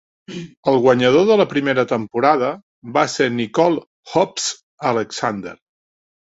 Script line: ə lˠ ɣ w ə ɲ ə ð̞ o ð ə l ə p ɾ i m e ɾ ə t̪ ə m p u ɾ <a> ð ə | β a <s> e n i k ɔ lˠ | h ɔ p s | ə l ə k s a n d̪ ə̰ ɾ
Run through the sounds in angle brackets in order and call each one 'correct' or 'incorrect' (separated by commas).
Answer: correct, correct